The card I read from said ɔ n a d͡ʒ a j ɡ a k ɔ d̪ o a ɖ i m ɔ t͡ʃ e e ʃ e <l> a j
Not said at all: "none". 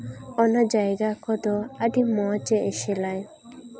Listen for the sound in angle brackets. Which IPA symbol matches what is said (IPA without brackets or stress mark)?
l